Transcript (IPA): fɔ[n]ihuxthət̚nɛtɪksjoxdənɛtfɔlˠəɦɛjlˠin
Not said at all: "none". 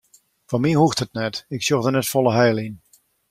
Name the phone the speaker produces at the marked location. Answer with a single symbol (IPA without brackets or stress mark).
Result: m